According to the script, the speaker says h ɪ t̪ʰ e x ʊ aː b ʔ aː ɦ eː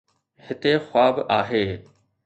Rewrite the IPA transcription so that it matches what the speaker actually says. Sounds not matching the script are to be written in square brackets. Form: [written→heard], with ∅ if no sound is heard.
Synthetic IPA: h ɪ [t̪ʰ→t̪] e x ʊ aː b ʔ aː ɦ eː